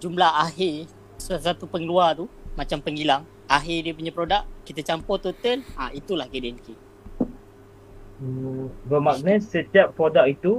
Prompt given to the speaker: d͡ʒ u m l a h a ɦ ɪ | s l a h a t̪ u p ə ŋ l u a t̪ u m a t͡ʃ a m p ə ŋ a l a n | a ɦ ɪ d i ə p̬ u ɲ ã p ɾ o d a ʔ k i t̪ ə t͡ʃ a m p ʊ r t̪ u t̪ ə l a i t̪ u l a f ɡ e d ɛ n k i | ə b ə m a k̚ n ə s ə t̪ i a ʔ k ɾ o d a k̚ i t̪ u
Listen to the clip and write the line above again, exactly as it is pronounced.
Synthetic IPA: d͡ʒ u m l a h a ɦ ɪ | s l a s a t̪ u p ə ŋ l u a t̪ u m a t͡ʃ a m p ə ŋ i l a ŋ | a ɦ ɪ d i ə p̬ u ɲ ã p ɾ o d a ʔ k i t̪ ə t͡ʃ a m p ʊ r t̪ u t̪ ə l a i t̪ u l a h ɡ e d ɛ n k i | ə b ə m a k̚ n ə s ə t̪ i a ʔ p ɾ o d a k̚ i t̪ u